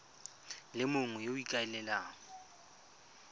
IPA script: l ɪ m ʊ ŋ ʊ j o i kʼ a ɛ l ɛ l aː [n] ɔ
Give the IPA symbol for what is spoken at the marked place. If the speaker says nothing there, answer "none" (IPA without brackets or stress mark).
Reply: ŋ